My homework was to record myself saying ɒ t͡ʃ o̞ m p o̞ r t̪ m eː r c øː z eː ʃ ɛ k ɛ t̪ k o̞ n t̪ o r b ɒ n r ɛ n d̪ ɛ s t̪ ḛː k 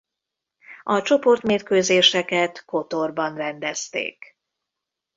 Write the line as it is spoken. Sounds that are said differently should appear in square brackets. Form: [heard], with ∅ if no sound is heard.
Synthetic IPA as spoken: ɒ t͡ʃ o̞ [∅] p o̞ r t̪ m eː r [k] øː z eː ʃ ɛ k ɛ t̪ k o̞ [∅] t̪ o r b ɒ n r ɛ n d̪ ɛ s t̪ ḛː k